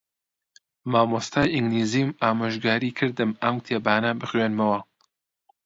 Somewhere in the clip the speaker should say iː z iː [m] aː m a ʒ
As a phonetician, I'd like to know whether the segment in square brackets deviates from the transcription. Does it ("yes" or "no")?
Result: no